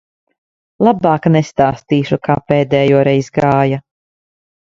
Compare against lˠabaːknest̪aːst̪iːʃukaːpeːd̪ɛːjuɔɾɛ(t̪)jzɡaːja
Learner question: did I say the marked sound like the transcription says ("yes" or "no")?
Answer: no